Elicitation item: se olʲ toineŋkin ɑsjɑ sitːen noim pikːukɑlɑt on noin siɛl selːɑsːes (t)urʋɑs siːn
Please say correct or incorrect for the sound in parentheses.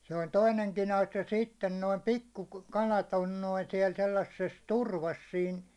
correct